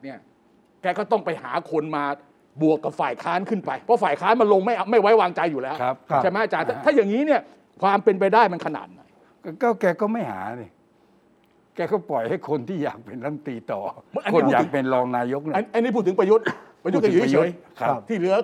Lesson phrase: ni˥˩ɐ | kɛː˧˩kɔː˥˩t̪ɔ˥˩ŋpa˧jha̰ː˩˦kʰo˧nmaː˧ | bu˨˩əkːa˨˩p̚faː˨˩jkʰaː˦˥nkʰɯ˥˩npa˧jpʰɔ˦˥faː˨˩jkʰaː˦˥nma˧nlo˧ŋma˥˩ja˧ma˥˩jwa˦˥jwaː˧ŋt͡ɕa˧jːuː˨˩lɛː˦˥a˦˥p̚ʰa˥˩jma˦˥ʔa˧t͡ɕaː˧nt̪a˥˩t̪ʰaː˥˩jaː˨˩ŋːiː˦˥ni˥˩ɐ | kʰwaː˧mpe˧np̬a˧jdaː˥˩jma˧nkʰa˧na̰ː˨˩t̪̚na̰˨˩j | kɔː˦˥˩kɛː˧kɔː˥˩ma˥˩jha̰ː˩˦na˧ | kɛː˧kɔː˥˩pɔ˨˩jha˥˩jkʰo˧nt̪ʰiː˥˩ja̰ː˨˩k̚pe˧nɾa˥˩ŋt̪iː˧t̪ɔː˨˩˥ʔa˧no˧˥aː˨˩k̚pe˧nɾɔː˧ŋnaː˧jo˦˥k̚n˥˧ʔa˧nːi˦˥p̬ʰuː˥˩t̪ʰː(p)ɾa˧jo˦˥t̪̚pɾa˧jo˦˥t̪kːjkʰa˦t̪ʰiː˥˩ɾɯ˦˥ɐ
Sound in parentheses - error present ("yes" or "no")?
no